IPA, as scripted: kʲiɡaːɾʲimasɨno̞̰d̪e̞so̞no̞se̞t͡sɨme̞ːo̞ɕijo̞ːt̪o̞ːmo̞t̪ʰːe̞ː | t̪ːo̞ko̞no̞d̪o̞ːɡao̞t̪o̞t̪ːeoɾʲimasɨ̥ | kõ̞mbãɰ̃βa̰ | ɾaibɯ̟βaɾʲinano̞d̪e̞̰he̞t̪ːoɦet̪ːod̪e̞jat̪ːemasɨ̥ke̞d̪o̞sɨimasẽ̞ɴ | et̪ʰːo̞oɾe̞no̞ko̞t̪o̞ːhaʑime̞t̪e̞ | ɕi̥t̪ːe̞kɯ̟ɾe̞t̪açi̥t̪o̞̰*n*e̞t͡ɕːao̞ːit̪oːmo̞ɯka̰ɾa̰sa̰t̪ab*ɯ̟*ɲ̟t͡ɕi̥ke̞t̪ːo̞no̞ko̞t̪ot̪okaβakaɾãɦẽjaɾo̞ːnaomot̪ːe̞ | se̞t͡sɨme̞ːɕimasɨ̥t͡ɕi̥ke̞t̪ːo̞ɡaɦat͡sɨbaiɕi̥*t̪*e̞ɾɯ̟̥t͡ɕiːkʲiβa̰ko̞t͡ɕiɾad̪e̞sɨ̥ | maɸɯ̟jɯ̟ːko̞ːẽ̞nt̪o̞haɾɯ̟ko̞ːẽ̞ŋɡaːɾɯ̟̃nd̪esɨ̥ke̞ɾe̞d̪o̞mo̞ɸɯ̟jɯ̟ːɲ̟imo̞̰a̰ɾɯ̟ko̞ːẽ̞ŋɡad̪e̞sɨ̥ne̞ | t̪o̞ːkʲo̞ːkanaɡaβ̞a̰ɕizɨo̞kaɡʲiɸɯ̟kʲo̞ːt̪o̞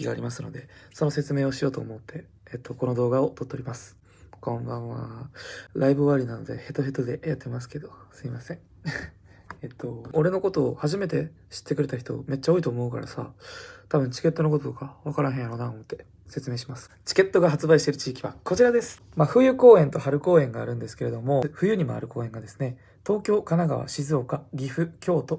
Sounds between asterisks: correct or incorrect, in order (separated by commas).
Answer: incorrect, incorrect, correct